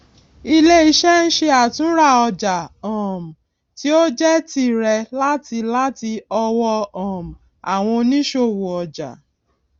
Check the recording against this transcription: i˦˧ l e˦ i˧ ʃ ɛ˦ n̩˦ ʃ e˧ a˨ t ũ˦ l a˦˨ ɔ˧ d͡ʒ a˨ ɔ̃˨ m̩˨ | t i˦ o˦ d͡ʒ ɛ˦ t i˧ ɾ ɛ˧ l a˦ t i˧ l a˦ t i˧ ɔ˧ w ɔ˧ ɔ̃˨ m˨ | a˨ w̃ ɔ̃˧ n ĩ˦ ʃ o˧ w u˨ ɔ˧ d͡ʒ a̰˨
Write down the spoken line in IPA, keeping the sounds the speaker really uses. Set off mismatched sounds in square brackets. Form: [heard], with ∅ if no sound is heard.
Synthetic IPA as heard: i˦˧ l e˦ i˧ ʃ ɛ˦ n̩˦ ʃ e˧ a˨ t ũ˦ [ɾ] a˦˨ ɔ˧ d͡ʒ a˨ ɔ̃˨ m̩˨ | t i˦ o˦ d͡ʒ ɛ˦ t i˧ ɾ ɛ˧ l a˦ t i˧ l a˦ t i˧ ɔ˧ w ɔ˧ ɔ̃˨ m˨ | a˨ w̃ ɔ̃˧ n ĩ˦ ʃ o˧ w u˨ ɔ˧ d͡ʒ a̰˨